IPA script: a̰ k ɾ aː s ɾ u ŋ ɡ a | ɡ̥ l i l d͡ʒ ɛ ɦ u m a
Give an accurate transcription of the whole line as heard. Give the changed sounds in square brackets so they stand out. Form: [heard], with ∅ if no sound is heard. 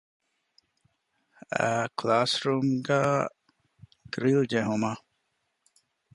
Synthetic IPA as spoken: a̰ k [l] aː s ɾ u [m] ɡ a | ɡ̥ [ɾ] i l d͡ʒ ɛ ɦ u m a

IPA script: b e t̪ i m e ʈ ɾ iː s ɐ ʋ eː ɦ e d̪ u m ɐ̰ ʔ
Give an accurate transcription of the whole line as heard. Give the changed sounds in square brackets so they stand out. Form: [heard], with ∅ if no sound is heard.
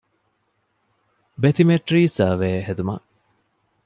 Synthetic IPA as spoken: b e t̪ i m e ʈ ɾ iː s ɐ ʋ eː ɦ e d̪ u m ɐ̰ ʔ

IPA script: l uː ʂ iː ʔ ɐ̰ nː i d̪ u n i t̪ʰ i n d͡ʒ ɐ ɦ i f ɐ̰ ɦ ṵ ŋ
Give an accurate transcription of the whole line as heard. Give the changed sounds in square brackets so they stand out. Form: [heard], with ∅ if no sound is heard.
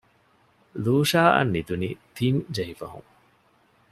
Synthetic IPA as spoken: l uː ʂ [aː] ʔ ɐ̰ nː i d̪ u n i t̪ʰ i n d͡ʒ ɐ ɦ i f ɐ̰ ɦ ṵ ŋ

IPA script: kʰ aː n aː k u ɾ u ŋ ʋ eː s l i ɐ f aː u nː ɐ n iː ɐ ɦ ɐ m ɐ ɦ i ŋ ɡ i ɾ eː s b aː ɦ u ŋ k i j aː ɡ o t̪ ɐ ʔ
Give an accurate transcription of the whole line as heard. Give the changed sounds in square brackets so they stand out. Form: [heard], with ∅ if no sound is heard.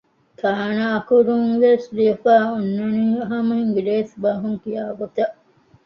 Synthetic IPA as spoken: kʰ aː n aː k u ɾ u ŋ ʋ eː s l i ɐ f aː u nː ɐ n iː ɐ ɦ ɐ m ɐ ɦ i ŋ ɡ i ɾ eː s b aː ɦ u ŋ k i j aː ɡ o t̪ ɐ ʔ

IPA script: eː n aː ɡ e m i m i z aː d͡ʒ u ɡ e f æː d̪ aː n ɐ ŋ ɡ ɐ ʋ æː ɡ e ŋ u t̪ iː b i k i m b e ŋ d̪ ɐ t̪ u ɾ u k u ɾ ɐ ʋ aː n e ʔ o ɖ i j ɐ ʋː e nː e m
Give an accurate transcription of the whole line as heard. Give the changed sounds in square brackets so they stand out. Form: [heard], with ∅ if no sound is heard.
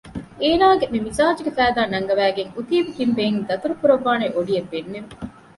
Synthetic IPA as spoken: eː n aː ɡ e m i m i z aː d͡ʒ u ɡ e f æː d̪ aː n ɐ ŋ ɡ ɐ ʋ æː ɡ e ŋ u t̪ iː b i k i m b e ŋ d̪ ɐ t̪ u ɾ u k u ɾ ɐ [ʋː] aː n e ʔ o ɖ i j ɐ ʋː e nː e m

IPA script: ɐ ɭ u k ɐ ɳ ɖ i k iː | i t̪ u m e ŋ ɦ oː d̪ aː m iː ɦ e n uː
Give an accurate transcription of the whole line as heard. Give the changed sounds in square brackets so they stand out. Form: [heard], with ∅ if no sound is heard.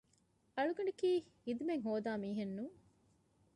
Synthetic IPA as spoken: ɐ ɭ u [ɡ] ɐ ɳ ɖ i k iː | i [d̪] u m e ŋ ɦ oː d̪ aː m iː ɦ e [nː] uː

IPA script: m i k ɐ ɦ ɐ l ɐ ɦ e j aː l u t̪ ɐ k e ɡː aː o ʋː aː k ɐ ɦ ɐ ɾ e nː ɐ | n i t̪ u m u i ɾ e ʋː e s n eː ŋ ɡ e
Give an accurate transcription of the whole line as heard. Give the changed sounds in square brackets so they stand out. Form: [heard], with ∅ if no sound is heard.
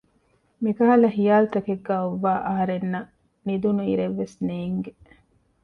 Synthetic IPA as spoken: m i k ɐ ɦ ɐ l ɐ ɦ [i] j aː l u t̪ ɐ k e ɡː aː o ʋː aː [ʔ] ɐ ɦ ɐ ɾ e nː ɐ | n i [d̪] u [n] u i ɾ e ʋː e s n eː ŋ ɡ e

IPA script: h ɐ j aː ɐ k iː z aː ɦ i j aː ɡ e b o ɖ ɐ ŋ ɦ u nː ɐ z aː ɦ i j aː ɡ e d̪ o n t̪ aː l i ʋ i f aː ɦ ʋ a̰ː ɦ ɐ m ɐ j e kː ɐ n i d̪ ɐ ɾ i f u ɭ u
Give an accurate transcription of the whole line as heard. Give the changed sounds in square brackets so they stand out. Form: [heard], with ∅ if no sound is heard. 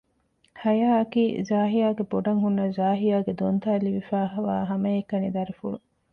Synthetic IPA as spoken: h ɐ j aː ɐ k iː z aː ɦ i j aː ɡ e b o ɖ ɐ ŋ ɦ u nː ɐ z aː ɦ i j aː ɡ e d̪ o n t̪ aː l i ʋ i f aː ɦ ʋ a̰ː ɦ ɐ m ɐ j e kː ɐ n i d̪ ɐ ɾ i f u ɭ u

